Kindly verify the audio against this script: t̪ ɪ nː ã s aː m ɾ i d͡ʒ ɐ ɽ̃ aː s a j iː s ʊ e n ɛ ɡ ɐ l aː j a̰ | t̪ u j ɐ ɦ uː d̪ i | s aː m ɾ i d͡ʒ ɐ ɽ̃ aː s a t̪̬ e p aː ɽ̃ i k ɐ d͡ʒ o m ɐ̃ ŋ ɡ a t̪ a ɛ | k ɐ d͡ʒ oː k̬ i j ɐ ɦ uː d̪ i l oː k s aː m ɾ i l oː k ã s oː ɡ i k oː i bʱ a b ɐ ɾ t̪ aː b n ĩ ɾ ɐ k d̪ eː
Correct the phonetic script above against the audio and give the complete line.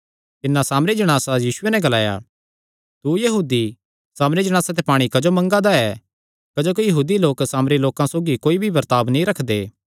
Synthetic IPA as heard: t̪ ɪ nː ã s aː m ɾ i d͡ʒ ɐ ɽ̃ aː s a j iː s ʊ e n ɛ ɡ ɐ l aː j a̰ | t̪ u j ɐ ɦ uː d̪ i | s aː m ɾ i d͡ʒ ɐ ɽ̃ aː s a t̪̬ e p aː ɽ̃ i k ɐ d͡ʒ o m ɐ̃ ŋ ɡ a d̪ a ɛ | k ɐ d͡ʒ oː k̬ i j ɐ ɦ uː d̪ i l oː k s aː m ɾ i l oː k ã s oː ɡ i k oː i bʱ i b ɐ ɾ t̪ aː b n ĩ ɾ ɐ kʰ d̪ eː

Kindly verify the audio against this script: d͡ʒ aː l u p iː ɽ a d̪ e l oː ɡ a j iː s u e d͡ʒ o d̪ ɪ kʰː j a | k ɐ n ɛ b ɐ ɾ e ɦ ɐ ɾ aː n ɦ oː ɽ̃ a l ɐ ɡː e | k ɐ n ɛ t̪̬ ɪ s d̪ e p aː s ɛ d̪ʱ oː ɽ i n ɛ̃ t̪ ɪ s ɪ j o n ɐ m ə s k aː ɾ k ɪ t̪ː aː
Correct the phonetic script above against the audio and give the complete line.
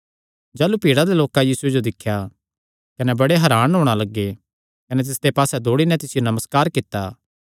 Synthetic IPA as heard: d͡ʒ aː l u p iː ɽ a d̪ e l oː k a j iː s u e d͡ʒ o d̪ ɪ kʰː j a | k ɐ n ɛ b ɐ ɽ e ɦ ɐ ɾ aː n ɦ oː ɽ̃ a l ɐ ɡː e | k ɐ n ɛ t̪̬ ɪ s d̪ e p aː s ɛ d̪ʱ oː ɽ i n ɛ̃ t̪ ɪ s ɪ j o n ɐ m ə s k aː ɾ k ɪ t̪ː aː

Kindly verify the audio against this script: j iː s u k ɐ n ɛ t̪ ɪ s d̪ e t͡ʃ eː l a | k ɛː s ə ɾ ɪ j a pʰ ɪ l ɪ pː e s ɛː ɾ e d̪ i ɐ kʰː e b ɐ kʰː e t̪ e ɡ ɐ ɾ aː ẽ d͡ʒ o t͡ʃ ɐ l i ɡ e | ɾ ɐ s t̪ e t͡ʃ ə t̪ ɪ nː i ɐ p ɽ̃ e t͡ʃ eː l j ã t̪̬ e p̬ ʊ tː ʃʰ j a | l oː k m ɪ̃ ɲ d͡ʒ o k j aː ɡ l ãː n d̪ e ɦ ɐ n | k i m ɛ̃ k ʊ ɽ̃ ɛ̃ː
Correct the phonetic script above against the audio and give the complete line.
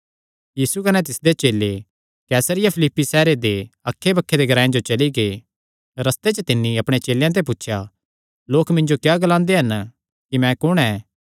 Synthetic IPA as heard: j iː s u k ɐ n ɛ t̪ ɪ s d̪ e t͡ʃ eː l e | k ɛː s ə ɾ ɪ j a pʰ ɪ l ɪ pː i s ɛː ɾ e d̪ e ɐ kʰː e b ɐ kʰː e d̪ e ɡ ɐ ɾ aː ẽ d͡ʒ o t͡ʃ ɐ l i ɡ e | ɾ ɐ s t̪ e t͡ʃ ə t̪ ɪ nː i ɐ p ɽ̃ e t͡ʃ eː l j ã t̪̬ e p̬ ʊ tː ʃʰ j a | l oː k m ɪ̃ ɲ d͡ʒ o k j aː ɡ l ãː n d̪ e ɦ ɐ n | k i m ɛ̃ k ʊ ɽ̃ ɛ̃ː

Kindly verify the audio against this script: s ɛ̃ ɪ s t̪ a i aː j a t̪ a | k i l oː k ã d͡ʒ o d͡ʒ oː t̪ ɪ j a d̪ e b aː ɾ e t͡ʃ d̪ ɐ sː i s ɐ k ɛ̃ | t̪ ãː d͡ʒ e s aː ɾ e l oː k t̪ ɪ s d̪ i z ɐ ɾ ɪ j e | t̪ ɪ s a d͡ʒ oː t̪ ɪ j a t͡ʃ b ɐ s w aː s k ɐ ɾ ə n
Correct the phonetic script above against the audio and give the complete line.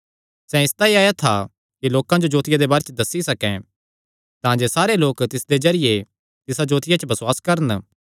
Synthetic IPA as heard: s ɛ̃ ɪ s t̪ a i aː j a t̪ʰ a | k i l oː k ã d͡ʒ o d͡ʒ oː t̪ ɪ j a d̪ e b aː ɾ e t͡ʃ d̪ ɐ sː i s ɐ k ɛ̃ | t̪ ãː d͡ʒ e s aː ɾ e l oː k t̪ ɪ s d̪ e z ɐ ɾ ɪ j e | t̪ ɪ s a d͡ʒ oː t̪ ɪ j a t͡ʃ b ɐ s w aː s k ɐ ɾ ə n

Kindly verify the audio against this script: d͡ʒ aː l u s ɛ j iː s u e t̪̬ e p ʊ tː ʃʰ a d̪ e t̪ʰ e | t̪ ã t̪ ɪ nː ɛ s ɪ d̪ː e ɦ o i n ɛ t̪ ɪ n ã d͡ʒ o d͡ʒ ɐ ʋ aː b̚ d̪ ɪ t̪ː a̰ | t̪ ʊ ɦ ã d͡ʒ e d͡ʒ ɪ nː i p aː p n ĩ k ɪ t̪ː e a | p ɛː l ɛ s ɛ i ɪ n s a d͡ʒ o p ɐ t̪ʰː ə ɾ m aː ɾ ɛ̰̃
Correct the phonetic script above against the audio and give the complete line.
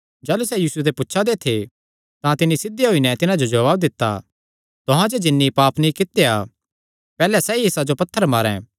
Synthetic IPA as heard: d͡ʒ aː l u s ɛ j iː s u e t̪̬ e p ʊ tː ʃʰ a d̪ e t̪ʰ e | t̪ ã t̪ ɪ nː i s ɪ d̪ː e ɦ o i n ɛ t̪ ɪ n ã d͡ʒ o d͡ʒ ɐ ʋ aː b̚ d̪ ɪ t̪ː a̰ | t̪ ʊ ɦ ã d͡ʒ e d͡ʒ ɪ nː i p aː p n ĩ k ɪ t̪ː e a | p ɛː l ɛ s ɛ i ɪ s a d͡ʒ o p ɐ t̪ʰː ə ɾ m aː ɾ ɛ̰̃

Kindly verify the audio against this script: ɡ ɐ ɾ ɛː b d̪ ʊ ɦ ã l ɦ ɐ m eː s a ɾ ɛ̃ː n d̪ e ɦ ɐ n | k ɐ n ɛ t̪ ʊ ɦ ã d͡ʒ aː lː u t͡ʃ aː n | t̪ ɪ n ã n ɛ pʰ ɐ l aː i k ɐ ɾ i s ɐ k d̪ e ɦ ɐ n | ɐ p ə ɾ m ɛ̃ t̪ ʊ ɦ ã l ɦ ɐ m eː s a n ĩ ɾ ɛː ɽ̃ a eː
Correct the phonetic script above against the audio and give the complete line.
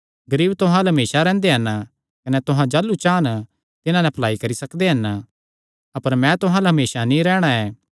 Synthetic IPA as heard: ɡ ɐ ɾ iː b t̪ ʊ ɦ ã l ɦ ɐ m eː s a ɾ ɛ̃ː n d̪ e ɦ ɐ n | k ɐ n ɛ t̪ ʊ ɦ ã d͡ʒ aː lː u t͡ʃ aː n | t̪ ɪ n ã n ɛ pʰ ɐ l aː i k ɐ ɾ i s ɐ k d̪ e ɦ ɐ n | ɐ p ə ɾ m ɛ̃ t̪ ʊ ɦ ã l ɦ ɐ m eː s a n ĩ ɾ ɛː ɽ̃ a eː

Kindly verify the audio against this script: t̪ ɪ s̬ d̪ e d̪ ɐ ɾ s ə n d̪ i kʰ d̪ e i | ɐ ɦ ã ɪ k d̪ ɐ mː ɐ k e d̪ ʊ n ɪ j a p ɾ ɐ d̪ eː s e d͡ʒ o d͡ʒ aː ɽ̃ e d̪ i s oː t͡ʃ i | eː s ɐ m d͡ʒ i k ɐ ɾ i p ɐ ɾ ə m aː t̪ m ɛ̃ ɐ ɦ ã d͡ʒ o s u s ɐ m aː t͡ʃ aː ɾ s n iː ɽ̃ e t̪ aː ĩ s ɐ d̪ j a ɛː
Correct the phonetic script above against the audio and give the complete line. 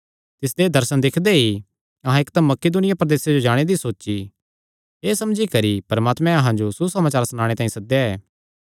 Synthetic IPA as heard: t̪ ɪ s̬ d̪ e d̪ ɐ ɾ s ə n d̪ ɪ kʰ d̪ e i | ɐ ɦ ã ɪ k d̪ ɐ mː ɐ k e d̪ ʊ n ɪ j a p ɾ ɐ d̪ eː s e d͡ʒ o d͡ʒ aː ɽ̃ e d̪ i s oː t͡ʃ i | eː s ɐ m d͡ʒ i k ɐ ɾ i p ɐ ɾ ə m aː t̪ m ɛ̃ ɐ ɦ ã d͡ʒ o s u s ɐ m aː t͡ʃ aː ɾ s n aː ɽ̃ e t̪ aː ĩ s ɐ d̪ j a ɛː

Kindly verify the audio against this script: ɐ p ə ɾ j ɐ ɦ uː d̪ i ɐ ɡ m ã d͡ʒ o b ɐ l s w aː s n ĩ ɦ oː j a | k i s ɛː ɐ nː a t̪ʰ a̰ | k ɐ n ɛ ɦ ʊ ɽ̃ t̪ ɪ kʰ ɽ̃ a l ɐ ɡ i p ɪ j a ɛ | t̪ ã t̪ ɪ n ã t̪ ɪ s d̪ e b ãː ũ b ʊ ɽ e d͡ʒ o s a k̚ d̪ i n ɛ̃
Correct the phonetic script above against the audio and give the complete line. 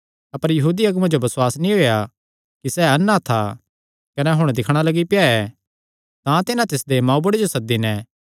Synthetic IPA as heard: ɐ p ə ɾ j ɐ ɦ uː d̪ i ɐ ɡ m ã d͡ʒ o b ɐ s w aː s n ĩ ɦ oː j a | k i s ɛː ɐ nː a t̪ʰ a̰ | k ɐ n ɛ ɦ ʊ ɽ̃ d̪ ɪ kʰ ɽ̃ a l ɐ ɡ i p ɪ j a ɛ | t̪ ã t̪ ɪ n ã t̪ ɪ s d̪ e m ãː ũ b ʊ ɽ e d͡ʒ o s ɐ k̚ d̪ i n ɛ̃

